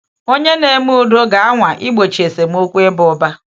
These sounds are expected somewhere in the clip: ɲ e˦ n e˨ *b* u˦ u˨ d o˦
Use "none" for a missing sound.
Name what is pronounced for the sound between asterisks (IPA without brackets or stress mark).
m